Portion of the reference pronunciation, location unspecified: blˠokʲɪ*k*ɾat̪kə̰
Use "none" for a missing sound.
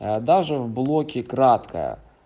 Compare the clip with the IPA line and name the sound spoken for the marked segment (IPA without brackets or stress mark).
k